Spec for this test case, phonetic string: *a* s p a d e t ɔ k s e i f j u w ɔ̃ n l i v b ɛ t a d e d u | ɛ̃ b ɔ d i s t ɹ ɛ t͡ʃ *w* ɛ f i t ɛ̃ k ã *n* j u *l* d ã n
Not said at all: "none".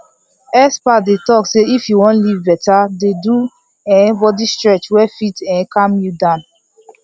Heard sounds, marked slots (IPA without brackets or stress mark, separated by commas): ɛ, w, m, none